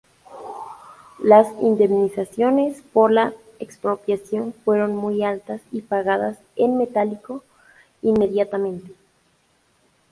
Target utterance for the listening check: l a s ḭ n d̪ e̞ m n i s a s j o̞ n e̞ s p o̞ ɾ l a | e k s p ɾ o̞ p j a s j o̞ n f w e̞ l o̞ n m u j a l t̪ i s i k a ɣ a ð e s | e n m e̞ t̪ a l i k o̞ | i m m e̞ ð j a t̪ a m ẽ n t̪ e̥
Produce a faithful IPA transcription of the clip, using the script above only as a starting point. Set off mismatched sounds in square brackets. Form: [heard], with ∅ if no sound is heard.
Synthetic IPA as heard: l a s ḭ n d̪ e̞ m n i s a s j o̞ n e̞ s p o̞ ɾ l a | e k s p ɾ o̞ p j a s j o̞ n f w e̞ [ɾ] o̞ n m u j a l t̪ [a] s i [p] a ɣ a ð [a] s | e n m e̞ t̪ a l i k o̞ | i [n] m e̞ ð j a t̪ a m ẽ n t̪ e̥